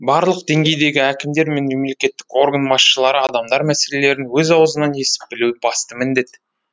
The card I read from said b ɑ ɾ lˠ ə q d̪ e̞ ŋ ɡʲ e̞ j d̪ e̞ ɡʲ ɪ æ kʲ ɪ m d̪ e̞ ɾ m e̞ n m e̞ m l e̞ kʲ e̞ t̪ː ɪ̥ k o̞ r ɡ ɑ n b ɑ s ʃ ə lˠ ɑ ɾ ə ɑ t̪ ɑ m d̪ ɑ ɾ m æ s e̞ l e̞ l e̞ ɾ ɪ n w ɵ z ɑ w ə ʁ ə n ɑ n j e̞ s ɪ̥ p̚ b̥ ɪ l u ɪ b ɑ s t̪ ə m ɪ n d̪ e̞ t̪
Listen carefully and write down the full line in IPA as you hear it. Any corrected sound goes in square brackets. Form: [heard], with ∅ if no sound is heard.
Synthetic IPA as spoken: b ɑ ɾ lˠ ə q d̪ e̞ ŋ ɡʲ e̞ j d̪ e̞ ɡʲ ɪ æ kʲ ɪ m d̪ e̞ ɾ m e̞ n m e̞ m l e̞ kʲ e̞ t̪ː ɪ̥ k o̞ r ɡ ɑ n b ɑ s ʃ ə lˠ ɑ ɾ ə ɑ [d̪] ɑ m d̪ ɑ ɾ m æ s e̞ l e̞ l e̞ ɾ ɪ n w ɵ z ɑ w ə [z] ə n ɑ n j e̞ s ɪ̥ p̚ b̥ ɪ l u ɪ b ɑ s t̪ ə m ɪ n d̪ e̞ t̪